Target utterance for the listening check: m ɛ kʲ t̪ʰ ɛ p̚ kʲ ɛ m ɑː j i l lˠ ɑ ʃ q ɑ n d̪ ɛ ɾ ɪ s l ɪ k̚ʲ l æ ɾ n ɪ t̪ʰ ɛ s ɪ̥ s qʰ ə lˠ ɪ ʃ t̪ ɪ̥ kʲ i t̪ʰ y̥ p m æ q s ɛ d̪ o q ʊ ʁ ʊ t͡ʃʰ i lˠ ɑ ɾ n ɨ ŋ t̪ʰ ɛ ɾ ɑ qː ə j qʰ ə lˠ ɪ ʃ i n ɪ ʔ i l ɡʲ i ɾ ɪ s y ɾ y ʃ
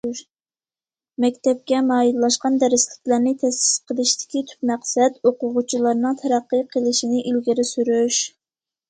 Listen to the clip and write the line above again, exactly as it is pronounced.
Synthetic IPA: m ɛ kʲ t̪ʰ ɛ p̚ kʲ ɛ m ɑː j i l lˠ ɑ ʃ q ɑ n d̪ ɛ ɾ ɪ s l ɪ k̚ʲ l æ ɾ n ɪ t̪ʰ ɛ s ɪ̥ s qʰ ə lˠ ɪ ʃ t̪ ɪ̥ kʲ i t̪ʰ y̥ p m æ q s ɛ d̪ o q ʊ ʁ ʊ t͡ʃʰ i lˠ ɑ ɾ n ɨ ŋ t̪ʰ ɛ ɾ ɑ qː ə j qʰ ə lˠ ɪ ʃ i n ɪ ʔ i l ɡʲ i ɾ ɪ s y ɾ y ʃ